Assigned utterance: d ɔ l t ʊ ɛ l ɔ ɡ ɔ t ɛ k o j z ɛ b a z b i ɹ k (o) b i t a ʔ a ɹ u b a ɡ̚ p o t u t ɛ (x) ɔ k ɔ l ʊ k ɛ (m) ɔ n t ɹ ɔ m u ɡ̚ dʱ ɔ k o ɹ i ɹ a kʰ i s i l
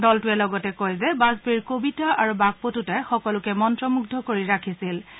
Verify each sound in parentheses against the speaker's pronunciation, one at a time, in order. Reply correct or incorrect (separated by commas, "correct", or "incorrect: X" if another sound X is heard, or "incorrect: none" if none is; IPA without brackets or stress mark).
correct, correct, correct